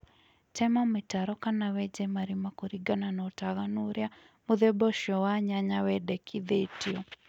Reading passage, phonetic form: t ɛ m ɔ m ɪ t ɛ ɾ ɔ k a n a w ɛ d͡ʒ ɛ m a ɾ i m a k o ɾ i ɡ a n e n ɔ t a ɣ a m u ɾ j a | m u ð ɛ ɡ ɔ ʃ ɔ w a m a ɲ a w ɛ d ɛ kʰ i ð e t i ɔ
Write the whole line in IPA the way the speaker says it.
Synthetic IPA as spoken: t ɛ m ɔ m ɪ t a ɾ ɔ k a n a w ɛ d͡ʒ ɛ m a ɾ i m a k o ɾ i ɡ a n a n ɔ t a ɣ a n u ɾ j a | m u ð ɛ b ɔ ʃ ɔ w a ɲ a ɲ a w ɛ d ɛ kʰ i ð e t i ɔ